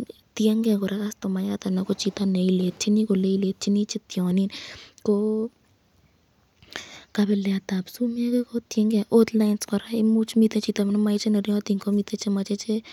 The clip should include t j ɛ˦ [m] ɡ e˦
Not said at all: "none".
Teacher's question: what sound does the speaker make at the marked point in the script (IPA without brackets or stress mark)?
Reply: ŋ